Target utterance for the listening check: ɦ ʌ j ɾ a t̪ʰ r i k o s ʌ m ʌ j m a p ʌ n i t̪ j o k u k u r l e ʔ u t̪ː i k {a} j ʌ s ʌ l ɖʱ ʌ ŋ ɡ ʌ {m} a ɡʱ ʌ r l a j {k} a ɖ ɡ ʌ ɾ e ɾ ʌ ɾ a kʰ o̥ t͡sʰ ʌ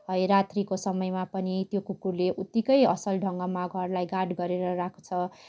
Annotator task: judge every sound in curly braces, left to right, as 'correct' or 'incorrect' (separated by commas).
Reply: incorrect, correct, incorrect